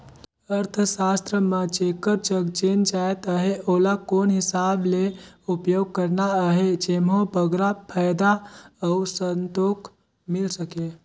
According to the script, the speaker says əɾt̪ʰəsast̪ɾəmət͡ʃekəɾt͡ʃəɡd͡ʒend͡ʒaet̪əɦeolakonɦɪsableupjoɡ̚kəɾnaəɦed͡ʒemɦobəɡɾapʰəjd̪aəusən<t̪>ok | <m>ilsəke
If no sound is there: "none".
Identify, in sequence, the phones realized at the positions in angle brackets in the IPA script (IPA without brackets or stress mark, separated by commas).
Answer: t̪, m